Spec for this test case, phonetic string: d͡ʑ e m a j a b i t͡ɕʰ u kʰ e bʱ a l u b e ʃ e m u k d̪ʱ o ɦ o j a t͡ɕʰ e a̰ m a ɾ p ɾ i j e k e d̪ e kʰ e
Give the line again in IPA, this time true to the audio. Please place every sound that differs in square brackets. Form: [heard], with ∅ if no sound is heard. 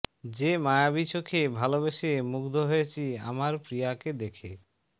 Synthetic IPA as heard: d͡ʑ e m a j a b i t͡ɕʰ [o] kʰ e bʱ a l [o] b e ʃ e m u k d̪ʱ o ɦ o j [e] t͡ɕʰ [i] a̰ m a ɾ p ɾ i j [a] k e d̪ e kʰ e